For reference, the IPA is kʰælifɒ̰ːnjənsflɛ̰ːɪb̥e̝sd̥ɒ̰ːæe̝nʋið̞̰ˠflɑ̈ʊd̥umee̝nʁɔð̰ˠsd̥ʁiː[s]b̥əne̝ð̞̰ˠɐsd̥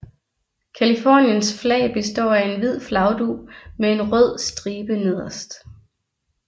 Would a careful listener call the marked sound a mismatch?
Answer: yes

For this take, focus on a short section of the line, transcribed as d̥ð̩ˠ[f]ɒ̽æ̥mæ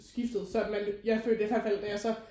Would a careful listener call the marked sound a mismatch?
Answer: yes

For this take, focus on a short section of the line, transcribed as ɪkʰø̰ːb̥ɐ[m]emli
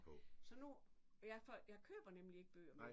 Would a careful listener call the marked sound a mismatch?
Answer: yes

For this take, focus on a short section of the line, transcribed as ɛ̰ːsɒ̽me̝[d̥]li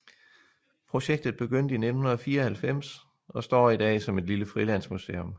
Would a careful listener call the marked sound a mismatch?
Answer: no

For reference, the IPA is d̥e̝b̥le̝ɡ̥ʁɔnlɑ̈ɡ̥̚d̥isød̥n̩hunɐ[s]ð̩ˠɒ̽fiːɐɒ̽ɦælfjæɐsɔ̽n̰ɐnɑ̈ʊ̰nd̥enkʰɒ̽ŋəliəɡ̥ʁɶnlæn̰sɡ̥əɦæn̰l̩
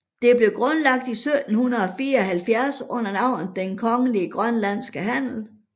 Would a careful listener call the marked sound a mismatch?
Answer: yes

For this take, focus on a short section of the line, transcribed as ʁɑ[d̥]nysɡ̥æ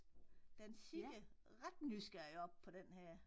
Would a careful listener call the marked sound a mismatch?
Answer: no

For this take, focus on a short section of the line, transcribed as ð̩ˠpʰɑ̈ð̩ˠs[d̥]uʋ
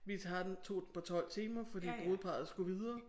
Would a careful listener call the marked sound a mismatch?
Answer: yes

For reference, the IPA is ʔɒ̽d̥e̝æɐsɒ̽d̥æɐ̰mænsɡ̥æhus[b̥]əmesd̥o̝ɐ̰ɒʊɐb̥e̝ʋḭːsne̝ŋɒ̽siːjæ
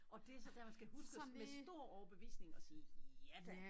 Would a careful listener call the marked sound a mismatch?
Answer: yes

